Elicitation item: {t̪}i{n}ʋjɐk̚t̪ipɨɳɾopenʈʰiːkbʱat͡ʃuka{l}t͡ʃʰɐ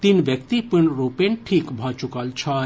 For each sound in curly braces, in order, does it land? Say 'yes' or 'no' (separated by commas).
yes, yes, yes